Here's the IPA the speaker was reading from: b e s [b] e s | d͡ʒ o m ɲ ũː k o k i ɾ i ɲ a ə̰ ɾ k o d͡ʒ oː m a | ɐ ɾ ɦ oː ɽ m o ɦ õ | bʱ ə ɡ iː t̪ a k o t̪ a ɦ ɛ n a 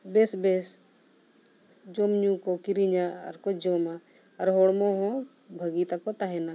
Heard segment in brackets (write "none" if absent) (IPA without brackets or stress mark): b